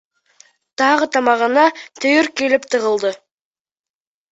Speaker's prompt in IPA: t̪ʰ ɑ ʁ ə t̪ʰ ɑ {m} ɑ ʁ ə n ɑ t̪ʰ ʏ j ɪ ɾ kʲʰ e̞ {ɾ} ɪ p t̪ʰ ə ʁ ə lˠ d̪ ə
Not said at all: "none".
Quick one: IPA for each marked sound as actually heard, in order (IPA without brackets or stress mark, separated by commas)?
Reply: m, l